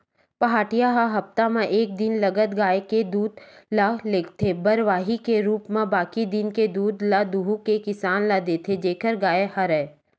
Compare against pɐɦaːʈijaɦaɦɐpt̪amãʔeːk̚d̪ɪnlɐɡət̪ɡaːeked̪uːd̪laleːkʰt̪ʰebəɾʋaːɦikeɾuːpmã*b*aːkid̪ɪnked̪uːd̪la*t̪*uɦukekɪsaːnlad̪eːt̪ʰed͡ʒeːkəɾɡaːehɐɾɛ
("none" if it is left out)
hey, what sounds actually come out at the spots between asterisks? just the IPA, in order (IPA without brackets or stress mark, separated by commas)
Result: b, d̪